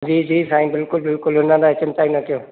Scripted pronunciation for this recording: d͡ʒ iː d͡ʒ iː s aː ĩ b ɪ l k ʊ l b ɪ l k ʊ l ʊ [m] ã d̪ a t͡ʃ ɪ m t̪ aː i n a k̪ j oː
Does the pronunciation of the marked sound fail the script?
yes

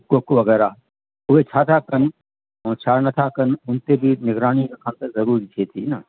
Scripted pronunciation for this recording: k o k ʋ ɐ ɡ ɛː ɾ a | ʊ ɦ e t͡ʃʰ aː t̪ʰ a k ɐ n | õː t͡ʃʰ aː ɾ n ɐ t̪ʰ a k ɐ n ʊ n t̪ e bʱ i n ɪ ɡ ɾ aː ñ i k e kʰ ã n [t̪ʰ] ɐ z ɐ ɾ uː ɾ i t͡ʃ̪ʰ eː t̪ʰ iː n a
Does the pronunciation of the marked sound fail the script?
yes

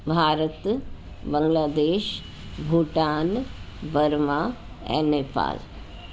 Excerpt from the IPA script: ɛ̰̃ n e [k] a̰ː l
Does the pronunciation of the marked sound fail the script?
yes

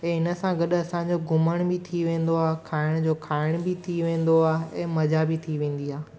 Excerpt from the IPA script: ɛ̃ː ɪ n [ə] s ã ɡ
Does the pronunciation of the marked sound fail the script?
no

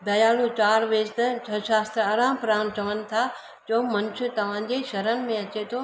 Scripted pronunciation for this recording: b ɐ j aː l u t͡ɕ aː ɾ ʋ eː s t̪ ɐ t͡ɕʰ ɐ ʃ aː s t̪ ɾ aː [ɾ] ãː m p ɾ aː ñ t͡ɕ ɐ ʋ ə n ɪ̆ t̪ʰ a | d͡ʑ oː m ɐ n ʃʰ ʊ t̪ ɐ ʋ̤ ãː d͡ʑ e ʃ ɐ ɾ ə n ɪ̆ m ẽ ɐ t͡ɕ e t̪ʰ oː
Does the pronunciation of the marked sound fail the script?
no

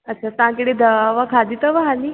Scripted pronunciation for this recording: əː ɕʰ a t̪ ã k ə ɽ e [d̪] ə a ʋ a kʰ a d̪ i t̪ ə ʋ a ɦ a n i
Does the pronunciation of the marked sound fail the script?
no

